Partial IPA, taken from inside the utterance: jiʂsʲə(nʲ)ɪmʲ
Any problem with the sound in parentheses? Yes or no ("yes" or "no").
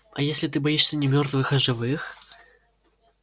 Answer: no